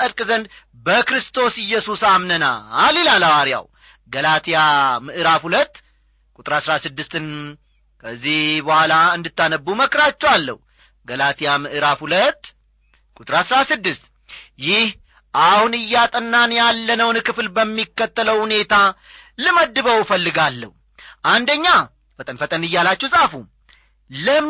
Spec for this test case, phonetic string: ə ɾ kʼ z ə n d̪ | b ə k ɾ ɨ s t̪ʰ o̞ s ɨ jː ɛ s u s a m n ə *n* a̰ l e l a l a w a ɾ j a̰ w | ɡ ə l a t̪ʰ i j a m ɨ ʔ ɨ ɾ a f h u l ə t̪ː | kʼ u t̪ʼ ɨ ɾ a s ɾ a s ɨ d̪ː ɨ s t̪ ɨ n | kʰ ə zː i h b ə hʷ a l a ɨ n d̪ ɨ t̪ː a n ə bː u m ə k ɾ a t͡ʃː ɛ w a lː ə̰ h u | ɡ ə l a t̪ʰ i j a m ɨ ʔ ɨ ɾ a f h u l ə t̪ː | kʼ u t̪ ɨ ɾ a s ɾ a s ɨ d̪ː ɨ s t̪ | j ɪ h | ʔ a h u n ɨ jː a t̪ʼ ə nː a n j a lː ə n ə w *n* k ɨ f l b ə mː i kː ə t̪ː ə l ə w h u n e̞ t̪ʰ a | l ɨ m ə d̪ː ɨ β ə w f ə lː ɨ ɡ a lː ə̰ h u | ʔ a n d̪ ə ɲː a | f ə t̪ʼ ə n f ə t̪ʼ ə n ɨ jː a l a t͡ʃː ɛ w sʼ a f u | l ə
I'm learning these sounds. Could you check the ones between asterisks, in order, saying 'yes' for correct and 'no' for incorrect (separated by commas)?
yes, yes